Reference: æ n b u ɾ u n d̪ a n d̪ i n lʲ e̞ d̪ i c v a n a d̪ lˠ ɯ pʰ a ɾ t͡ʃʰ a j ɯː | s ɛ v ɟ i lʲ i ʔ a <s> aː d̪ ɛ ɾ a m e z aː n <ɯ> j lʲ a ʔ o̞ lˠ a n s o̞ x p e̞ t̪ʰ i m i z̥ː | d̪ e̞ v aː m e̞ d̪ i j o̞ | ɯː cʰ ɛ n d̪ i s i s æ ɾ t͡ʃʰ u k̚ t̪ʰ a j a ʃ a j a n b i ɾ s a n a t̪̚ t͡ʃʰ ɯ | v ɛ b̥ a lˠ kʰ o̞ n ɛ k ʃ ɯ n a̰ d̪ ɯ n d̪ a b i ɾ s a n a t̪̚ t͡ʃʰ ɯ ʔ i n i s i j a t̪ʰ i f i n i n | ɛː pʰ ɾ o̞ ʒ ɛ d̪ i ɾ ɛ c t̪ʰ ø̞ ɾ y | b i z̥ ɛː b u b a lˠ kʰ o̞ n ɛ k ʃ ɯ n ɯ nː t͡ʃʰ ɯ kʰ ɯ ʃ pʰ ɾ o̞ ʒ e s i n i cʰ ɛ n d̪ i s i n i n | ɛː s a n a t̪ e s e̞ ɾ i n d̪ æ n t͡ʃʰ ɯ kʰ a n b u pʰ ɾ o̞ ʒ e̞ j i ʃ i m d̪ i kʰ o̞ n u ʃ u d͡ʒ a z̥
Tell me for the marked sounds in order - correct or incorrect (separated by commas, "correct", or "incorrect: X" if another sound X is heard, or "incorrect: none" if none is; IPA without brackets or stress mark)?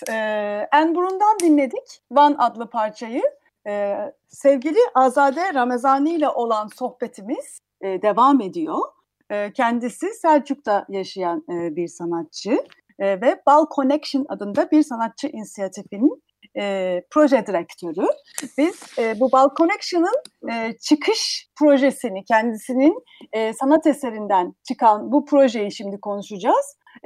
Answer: incorrect: z, correct